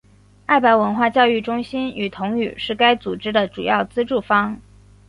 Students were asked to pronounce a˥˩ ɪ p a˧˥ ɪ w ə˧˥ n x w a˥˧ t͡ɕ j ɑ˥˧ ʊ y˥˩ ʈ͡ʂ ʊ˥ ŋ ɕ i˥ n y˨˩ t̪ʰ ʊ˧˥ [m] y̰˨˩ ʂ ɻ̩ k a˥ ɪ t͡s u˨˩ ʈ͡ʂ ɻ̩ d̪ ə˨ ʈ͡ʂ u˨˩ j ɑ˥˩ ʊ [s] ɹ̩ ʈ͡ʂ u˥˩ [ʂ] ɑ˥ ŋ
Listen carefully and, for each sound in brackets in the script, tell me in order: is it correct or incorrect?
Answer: incorrect, incorrect, incorrect

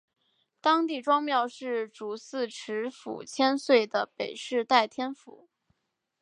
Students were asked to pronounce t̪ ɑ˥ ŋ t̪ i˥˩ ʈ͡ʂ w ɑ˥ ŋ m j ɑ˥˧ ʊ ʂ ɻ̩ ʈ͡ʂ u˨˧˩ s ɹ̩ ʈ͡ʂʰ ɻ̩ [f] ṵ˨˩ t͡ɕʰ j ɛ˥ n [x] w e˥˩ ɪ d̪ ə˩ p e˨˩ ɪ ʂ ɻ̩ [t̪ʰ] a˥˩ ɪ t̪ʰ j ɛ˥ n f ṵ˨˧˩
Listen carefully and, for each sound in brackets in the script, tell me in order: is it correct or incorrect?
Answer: correct, incorrect, incorrect

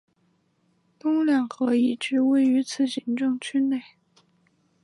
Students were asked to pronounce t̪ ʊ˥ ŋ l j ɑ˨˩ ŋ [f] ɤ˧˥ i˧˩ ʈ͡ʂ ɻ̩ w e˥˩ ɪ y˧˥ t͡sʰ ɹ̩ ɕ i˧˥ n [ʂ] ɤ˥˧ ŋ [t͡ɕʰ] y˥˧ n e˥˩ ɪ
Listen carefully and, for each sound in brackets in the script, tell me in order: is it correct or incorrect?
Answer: incorrect, incorrect, correct

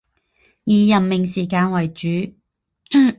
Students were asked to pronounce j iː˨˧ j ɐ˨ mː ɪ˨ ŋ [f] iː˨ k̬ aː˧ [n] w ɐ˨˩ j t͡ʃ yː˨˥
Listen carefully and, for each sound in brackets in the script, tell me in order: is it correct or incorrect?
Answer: incorrect, correct

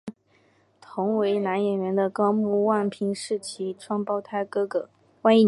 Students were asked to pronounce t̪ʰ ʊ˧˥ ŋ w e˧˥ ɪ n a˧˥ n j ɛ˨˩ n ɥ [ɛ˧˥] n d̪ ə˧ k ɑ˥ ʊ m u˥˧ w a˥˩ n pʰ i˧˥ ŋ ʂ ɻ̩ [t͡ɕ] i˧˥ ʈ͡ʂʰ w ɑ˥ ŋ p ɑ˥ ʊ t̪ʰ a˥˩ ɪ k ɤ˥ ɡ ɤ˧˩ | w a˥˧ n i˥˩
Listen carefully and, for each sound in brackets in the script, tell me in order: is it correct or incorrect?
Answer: correct, incorrect

